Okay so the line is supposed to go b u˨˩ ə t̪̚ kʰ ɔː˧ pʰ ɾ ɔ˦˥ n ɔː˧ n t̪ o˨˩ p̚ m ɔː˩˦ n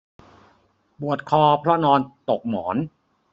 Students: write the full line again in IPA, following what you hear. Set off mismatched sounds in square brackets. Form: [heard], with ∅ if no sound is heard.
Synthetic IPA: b u˨˩ ə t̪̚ kʰ ɔː˧ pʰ ɾ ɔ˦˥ n ɔː˧ n t̪ o˨˩ [k̚] m ɔː˩˦ n

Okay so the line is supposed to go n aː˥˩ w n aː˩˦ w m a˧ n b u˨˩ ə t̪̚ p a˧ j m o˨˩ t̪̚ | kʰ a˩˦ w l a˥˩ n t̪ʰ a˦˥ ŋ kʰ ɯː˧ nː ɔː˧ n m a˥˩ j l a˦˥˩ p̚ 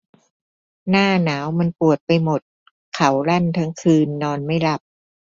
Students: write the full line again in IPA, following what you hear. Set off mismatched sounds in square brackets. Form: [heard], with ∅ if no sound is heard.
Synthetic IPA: n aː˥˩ [∅] n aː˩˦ w m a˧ n [p] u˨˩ ə t̪̚ p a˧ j m o˨˩ t̪̚ | kʰ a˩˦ w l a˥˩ n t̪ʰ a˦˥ ŋ kʰ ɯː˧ nː ɔː˧ n m a˥˩ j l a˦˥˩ p̚

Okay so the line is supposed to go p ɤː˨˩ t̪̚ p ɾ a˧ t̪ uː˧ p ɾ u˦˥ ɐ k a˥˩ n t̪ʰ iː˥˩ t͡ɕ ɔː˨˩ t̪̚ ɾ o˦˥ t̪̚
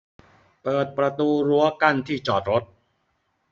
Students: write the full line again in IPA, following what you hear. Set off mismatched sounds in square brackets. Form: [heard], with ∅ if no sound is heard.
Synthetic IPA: p ɤː˨˩ t̪̚ p ɾ a˧ t̪ uː˧ [∅] ɾ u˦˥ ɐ k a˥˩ n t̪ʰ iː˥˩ t͡ɕ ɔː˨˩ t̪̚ ɾ o˦˥ t̪̚

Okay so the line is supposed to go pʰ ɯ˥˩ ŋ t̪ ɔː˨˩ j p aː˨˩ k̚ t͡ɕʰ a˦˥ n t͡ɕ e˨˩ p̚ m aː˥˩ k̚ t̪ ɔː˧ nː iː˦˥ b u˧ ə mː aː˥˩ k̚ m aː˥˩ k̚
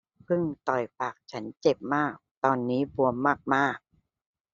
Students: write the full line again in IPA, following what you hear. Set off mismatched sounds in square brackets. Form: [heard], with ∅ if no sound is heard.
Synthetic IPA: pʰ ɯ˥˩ ŋ t̪ [ɔ˨˩] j p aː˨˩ k̚ t͡ɕʰ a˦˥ n t͡ɕ e˨˩ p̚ m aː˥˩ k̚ t̪ ɔː˧ nː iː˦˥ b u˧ ə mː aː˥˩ k̚ m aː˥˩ k̚

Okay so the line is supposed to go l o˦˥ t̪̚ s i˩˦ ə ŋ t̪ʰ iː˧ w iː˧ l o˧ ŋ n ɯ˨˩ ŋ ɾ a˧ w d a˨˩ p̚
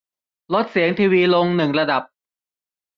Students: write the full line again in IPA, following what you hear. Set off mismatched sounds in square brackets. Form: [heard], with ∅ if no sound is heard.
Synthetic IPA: l o˦˥ t̪̚ s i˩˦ ə ŋ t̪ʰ iː˧ w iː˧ l o˧ ŋ n ɯ˨˩ ŋ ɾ a˧ [∅] d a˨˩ p̚

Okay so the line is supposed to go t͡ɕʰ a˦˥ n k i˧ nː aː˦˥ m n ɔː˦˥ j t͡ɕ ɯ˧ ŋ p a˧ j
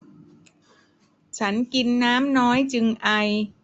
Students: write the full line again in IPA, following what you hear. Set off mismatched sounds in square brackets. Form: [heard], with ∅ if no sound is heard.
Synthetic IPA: t͡ɕʰ a˦˥ n k i˧ nː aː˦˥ m n ɔː˦˥ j t͡ɕ ɯ˧ ŋ [ʔ] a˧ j

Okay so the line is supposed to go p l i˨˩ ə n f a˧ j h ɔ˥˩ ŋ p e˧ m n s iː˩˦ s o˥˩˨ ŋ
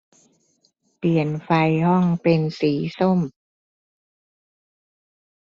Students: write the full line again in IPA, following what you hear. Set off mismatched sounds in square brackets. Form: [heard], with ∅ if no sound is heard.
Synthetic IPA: p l i˨˩ ə n f a˧ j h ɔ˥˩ ŋ p e˧ [∅] n s iː˩˦ s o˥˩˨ [m]

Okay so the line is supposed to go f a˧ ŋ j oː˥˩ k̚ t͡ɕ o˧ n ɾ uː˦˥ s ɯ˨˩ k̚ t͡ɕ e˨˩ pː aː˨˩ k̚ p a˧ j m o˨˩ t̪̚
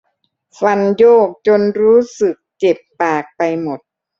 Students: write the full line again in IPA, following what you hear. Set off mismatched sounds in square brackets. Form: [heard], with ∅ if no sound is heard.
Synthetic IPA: f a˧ [n] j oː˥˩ k̚ t͡ɕ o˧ n ɾ uː˦˥ s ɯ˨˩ k̚ t͡ɕ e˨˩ pː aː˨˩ k̚ p a˧ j m o˨˩ t̪̚

